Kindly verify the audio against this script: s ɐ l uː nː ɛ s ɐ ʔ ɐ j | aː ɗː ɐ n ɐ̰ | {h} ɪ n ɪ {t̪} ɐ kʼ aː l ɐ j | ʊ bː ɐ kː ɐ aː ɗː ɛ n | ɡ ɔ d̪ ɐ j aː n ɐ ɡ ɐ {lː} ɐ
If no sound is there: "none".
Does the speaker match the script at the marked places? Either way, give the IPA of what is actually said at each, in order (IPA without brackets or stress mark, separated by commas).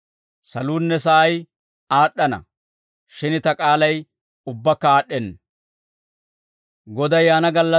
ʃ, t̪, lː